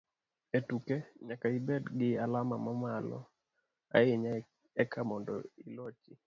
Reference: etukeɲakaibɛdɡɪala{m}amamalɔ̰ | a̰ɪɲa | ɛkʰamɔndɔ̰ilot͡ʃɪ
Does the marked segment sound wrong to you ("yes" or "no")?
no